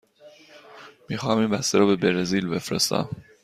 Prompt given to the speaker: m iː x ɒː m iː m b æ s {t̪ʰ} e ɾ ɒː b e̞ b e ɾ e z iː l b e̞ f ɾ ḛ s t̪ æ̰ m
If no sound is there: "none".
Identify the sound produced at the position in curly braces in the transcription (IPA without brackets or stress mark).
t̪